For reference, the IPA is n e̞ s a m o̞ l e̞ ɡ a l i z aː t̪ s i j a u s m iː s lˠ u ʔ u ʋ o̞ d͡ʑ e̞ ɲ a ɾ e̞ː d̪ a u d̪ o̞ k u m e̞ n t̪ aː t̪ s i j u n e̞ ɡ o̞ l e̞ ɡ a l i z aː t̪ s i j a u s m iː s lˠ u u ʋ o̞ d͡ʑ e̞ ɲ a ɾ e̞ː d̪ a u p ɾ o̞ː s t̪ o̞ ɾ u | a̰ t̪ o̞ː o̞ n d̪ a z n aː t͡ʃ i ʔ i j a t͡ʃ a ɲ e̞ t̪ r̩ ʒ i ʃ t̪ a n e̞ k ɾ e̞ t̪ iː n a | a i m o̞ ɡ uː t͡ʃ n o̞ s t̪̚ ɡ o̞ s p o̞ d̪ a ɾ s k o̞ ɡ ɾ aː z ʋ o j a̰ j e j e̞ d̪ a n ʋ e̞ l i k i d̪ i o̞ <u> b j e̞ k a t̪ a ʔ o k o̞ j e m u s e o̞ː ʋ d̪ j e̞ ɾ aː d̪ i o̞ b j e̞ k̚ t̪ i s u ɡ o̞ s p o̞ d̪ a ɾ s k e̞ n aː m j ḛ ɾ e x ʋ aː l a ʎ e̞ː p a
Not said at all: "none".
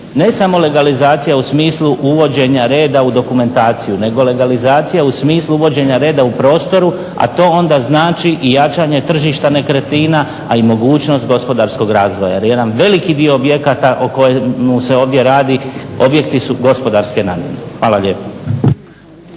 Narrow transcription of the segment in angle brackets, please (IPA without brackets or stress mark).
o